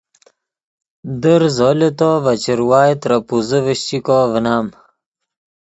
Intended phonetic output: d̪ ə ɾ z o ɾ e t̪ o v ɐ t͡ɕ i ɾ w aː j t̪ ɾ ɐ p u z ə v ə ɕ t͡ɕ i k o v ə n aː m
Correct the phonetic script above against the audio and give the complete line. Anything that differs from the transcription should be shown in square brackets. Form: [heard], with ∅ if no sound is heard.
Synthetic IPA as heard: d̪ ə ɾ z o [l] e t̪ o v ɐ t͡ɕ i ɾ w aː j t̪ ɾ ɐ p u z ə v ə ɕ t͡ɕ i k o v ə n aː m

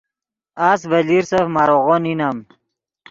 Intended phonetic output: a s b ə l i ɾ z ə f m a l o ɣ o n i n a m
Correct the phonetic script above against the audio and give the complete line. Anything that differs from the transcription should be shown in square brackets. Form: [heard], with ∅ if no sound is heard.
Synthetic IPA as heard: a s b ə l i ɾ [s] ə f m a [ɾ] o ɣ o n i n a m

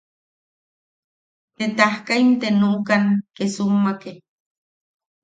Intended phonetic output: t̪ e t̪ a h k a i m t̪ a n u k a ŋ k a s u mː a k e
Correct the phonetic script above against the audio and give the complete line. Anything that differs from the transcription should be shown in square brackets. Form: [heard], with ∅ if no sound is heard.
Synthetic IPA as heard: t̪ e t̪ a h k a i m t̪ [e] n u k a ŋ k [e] s u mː a k e

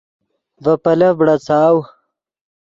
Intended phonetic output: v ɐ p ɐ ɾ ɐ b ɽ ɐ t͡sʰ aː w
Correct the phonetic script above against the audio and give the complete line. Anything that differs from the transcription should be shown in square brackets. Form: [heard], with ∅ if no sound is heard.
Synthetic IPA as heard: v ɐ p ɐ [l] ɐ b ɽ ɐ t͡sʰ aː w

